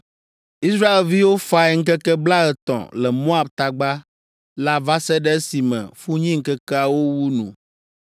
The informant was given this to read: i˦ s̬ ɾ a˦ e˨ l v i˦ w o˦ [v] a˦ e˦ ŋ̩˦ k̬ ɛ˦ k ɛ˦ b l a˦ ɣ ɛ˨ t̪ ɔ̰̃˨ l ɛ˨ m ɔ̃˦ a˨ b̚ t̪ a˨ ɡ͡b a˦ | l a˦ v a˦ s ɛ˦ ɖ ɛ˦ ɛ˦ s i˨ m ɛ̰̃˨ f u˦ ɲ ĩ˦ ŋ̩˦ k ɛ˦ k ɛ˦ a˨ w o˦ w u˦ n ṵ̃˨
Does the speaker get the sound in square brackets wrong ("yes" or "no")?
yes